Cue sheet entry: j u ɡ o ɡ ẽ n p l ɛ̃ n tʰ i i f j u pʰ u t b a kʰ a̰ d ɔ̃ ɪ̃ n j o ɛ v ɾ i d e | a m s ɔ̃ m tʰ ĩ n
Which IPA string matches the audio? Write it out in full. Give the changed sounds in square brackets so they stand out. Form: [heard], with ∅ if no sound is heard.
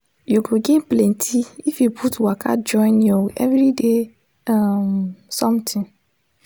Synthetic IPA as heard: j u ɡ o ɡ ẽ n p l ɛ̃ n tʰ i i f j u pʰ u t [w] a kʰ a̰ [d͡ʒ] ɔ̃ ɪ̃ n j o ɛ v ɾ i d e | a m s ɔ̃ m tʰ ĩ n